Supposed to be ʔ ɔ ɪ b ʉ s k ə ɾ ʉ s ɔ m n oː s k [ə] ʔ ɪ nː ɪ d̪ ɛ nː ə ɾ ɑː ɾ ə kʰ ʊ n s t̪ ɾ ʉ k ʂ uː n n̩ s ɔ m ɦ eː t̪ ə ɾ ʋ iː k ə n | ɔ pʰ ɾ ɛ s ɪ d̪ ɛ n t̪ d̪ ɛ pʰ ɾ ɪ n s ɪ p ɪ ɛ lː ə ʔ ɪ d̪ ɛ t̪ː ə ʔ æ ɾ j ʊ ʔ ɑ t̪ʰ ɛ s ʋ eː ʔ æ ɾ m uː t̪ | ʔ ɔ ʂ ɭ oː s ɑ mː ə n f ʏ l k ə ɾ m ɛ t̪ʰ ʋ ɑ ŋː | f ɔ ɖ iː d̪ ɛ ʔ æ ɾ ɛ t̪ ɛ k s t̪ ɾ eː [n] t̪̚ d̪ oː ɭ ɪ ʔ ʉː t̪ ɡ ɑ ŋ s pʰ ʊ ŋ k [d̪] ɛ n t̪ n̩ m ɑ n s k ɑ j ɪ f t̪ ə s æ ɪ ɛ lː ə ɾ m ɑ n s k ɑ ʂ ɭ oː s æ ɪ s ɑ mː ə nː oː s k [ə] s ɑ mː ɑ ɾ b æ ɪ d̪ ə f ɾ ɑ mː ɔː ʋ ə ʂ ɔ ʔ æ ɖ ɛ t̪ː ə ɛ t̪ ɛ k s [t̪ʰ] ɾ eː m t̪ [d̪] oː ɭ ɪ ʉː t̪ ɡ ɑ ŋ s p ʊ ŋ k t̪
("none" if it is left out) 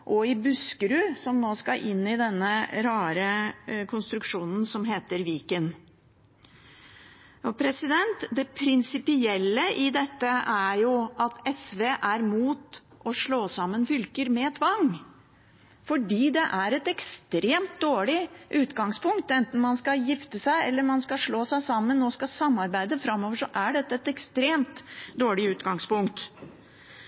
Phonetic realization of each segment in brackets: ɑ, m, t̪, ɑ, t̪, d̪

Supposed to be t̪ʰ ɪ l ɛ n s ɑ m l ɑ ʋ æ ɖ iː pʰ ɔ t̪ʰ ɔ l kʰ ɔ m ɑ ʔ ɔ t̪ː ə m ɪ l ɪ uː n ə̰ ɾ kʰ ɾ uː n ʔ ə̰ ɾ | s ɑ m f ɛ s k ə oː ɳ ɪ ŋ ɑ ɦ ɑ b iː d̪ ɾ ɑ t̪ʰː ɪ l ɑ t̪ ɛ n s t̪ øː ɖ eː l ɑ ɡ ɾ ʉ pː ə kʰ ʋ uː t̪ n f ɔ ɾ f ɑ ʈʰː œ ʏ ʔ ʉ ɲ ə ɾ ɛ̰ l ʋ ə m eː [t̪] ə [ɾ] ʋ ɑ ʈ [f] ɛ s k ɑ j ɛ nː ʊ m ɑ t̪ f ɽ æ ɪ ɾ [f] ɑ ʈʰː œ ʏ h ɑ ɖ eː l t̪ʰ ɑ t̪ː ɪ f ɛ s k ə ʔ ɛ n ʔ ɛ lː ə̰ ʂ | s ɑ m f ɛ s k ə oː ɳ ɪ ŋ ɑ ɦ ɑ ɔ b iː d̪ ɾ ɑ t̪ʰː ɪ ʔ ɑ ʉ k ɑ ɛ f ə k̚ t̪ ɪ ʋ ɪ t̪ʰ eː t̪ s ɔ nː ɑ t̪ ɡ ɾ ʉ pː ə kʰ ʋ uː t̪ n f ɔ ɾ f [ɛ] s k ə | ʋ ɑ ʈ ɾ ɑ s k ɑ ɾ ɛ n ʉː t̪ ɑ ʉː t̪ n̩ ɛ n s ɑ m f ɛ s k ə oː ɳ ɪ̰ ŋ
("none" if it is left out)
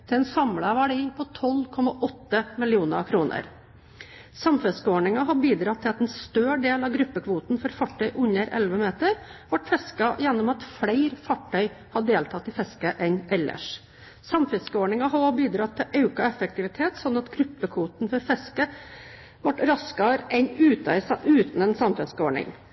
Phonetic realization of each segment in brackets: t̪, ɾ, f, f, ɛ

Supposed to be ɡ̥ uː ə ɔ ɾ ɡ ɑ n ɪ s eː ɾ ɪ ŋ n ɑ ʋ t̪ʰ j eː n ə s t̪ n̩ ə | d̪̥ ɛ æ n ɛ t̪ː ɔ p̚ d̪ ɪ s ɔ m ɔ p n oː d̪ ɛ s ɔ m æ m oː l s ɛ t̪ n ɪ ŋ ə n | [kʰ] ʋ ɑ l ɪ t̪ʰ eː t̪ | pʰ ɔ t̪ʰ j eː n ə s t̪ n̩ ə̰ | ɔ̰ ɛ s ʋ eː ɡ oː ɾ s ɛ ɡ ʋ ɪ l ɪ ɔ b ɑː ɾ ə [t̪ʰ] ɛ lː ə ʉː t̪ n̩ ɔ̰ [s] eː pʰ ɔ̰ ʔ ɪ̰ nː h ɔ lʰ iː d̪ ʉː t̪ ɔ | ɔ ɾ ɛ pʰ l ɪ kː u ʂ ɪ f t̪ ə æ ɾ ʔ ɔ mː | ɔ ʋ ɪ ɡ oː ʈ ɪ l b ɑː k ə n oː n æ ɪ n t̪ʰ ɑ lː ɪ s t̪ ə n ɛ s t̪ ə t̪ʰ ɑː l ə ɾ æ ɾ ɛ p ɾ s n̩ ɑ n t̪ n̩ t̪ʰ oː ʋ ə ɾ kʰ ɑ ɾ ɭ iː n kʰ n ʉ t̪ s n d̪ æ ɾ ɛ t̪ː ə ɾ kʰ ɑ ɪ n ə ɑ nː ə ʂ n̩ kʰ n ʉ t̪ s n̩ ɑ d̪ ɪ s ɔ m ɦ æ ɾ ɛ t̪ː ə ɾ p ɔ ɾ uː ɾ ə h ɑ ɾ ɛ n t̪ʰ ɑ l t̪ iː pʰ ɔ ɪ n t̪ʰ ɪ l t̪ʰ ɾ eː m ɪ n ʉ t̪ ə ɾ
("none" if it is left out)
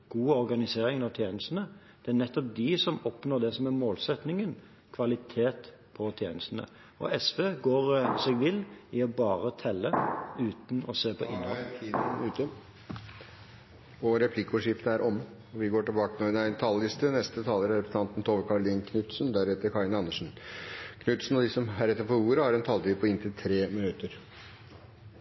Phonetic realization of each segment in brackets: kʰ, t̪ʰ, s

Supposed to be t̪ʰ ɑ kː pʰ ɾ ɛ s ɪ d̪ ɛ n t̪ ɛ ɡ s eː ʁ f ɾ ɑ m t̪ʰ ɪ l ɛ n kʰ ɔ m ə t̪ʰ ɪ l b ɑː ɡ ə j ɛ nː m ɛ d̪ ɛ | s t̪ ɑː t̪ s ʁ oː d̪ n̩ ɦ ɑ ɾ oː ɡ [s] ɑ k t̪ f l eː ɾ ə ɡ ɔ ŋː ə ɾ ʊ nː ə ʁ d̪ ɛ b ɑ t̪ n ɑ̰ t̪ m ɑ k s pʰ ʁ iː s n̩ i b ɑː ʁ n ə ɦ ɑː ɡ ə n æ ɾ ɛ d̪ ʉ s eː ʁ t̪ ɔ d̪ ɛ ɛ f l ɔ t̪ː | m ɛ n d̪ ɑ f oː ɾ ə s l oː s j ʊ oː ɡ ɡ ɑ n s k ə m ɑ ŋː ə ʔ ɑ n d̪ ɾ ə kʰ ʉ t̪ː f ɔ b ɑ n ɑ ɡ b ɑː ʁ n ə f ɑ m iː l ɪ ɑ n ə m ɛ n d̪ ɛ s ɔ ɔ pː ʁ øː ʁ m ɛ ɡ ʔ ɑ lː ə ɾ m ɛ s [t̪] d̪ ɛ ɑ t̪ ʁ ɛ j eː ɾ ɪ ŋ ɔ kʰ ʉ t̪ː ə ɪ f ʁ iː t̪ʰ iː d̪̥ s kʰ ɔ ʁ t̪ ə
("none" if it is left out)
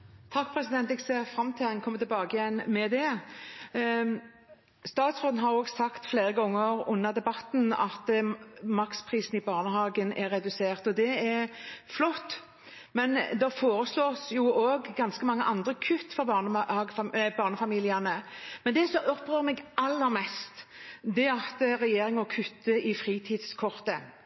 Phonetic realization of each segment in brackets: s, t̪

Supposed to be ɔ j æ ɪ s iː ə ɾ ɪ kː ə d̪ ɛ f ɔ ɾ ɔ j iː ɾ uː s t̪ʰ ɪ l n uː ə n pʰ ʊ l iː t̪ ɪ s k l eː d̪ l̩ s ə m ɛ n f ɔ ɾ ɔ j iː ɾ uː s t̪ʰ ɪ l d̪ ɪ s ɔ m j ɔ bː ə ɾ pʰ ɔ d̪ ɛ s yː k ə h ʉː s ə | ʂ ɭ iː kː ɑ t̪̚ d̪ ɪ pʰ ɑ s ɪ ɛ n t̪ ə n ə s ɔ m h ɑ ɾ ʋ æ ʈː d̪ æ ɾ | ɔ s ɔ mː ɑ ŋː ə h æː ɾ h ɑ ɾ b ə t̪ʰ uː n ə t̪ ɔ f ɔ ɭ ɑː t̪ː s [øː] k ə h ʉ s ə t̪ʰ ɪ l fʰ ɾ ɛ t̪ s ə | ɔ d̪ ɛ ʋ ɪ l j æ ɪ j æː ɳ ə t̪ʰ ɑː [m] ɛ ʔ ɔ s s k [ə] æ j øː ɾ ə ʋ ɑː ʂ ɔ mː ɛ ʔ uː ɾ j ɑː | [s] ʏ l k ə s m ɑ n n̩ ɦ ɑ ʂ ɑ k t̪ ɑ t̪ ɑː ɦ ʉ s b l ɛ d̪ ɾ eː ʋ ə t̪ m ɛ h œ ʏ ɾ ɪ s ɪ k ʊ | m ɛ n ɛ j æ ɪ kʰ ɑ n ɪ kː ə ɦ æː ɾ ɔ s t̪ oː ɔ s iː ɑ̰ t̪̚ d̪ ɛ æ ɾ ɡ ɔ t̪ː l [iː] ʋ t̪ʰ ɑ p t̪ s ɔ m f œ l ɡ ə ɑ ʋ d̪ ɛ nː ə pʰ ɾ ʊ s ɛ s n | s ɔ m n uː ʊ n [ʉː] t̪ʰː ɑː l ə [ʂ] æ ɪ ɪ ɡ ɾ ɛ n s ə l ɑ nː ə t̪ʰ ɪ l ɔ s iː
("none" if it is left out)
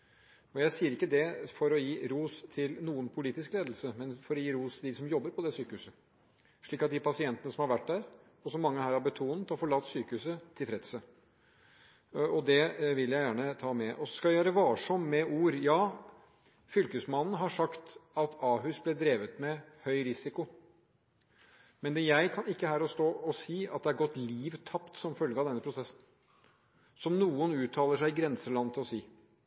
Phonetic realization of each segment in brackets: yː, m, ɑ, f, iː, ʉː, ʂ

